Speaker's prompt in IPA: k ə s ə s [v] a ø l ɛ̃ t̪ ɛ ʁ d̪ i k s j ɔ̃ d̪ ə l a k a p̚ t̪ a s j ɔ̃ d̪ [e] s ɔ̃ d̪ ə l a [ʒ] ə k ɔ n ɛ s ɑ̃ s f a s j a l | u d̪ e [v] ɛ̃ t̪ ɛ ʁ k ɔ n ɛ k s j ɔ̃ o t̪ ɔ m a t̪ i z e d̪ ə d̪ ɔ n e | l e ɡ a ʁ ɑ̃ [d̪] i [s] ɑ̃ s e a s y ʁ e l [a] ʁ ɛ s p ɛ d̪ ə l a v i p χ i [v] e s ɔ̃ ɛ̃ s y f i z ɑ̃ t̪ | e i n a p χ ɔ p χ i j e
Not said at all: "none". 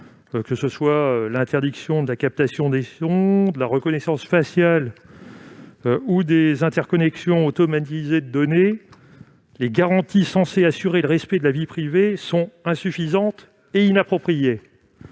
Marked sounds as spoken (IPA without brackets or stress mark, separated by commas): w, e, ʁ, z, t̪, s, ə, v